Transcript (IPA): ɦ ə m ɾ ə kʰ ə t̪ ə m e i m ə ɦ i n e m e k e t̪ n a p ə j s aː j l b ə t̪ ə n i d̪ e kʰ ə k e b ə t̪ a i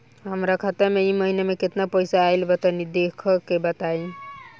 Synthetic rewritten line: ɦ ə m ɾ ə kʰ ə t̪ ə m e i m ə ɦ i n e m e k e t̪ n a p ə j s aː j l b ə t̪ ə n i d̪ e kʰ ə k e b ə t̪ a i